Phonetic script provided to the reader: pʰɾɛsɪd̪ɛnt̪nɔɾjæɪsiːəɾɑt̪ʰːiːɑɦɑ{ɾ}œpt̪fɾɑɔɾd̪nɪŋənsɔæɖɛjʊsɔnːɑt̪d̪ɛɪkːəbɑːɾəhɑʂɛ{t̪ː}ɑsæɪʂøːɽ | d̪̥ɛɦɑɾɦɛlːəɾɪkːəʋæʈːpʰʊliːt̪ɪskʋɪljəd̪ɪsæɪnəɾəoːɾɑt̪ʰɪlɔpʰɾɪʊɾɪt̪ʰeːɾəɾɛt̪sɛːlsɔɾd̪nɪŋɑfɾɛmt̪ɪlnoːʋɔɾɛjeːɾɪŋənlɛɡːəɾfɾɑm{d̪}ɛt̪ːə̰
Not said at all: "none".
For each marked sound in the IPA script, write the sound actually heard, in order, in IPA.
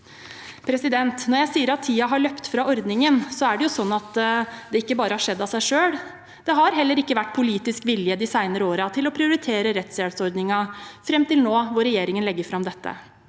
ɭ, d̪ː, d̪

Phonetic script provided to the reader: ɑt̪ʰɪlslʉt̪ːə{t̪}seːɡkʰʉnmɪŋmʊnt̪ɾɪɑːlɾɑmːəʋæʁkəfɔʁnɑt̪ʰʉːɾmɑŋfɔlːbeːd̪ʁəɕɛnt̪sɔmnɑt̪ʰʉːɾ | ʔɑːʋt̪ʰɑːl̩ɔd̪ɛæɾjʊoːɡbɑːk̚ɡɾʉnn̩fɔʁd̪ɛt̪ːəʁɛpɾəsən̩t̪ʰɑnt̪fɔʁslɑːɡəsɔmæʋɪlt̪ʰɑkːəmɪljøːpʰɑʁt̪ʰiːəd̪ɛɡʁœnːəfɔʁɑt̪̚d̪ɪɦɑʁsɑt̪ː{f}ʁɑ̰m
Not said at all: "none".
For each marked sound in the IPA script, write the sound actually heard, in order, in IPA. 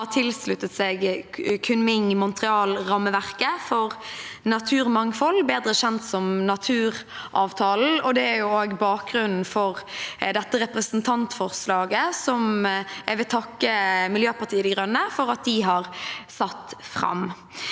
t̪, f

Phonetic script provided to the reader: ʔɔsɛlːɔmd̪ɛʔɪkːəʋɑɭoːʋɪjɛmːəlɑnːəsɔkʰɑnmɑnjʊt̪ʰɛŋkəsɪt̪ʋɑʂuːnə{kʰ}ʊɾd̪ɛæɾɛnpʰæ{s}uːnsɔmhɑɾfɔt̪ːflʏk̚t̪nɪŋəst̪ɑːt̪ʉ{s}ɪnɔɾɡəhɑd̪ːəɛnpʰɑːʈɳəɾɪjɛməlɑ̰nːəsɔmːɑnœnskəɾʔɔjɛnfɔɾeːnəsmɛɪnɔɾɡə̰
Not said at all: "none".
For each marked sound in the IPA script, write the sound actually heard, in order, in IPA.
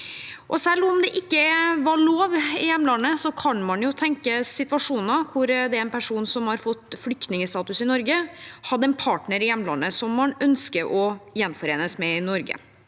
kʰ, ʂ, s

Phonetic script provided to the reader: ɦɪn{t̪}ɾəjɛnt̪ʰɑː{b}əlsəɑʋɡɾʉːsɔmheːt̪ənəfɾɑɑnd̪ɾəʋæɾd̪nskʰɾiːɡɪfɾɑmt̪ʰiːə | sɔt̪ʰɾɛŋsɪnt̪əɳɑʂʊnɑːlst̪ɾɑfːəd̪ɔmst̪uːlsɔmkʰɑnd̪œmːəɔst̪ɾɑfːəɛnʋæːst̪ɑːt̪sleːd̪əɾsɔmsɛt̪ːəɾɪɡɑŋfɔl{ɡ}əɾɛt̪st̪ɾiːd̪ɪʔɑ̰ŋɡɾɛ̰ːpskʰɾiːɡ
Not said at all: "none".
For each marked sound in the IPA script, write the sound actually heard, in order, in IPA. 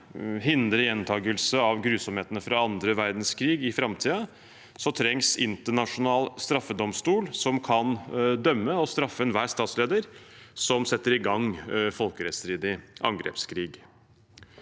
d̪, ɡ, k

